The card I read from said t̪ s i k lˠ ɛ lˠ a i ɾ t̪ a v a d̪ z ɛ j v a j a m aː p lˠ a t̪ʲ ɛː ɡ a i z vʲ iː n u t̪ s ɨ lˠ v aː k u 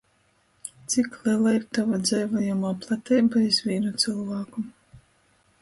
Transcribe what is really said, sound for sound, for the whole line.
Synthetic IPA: t̪ s i k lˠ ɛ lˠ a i ɾ t̪ a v a d̪ z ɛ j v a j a m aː p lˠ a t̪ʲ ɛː b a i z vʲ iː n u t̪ s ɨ lˠ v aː k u

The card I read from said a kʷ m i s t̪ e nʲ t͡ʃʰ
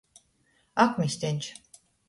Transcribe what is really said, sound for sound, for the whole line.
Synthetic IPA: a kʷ m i s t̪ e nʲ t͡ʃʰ

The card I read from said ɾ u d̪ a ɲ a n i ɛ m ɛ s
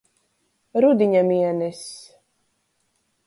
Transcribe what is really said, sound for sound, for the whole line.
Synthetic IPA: ɾ u d̪ i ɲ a m i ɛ n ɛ s

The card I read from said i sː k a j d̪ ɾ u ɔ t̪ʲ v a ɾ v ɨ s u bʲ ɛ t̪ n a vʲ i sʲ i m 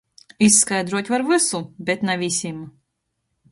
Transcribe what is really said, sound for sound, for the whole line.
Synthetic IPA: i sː k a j d̪ ɾ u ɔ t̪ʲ v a ɾ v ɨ s u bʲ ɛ t̪ n a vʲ i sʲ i m

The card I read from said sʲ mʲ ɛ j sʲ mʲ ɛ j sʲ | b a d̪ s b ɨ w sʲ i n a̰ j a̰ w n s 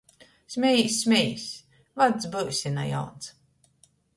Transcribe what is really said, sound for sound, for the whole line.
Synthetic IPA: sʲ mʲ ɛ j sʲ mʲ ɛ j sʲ | v a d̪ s b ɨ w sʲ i n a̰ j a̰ w n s

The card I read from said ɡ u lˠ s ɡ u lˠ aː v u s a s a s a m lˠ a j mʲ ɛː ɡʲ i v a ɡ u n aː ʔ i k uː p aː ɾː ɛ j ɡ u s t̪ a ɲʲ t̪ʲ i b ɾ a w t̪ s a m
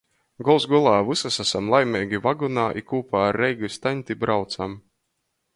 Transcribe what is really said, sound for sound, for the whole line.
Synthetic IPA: ɡ ɔ lˠ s ɡ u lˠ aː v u s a s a s a m lˠ a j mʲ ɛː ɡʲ i v a ɡ u n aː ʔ i k uː p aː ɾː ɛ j ɡ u s t̪ a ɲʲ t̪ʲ i b ɾ a w t̪ s a m

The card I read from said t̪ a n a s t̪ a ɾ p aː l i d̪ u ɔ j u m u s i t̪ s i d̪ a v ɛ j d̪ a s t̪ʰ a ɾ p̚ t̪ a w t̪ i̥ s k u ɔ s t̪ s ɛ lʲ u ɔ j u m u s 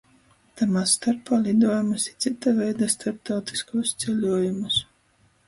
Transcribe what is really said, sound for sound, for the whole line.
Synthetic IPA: t̪ a m a s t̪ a ɾ p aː l i d̪ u ɔ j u m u s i t̪ s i t̪ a v ɛ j d̪ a s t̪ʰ a ɾ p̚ t̪ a w t̪ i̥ s k u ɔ s t̪ s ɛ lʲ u ɔ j u m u s

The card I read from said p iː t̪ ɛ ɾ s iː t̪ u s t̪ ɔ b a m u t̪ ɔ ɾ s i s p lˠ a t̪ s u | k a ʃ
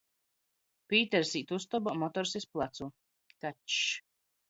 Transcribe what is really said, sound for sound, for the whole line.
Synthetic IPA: p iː t̪ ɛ ɾ s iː t̪ u s t̪ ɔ b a m ɔ t̪ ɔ ɾ s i s p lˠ a t̪ s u | k a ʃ

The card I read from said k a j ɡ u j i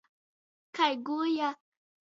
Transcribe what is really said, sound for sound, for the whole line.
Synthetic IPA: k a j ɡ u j a

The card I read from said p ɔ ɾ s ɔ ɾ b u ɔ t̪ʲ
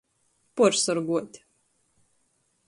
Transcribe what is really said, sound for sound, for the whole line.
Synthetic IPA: p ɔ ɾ s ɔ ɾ ɡ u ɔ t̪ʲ

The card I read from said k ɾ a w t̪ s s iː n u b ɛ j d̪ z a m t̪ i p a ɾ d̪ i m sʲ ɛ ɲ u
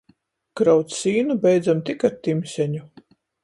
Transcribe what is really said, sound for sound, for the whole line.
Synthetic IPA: k ɾ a w t̪ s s iː n u b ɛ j d̪ z a m t̪ i k a ɾ t̪ i m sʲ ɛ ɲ u

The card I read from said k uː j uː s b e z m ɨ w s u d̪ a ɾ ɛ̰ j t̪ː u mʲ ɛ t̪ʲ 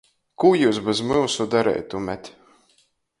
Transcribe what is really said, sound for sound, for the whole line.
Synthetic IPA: k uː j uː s b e z m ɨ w s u d̪ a ɾ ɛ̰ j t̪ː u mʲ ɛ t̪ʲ

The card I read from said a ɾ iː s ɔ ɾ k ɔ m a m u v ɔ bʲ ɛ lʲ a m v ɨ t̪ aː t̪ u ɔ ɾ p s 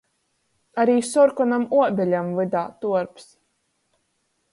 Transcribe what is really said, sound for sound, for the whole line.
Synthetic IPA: a ɾ iː s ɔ ɾ k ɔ n a m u ɔ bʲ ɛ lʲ a m v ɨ d̪ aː t̪ u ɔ ɾ p s

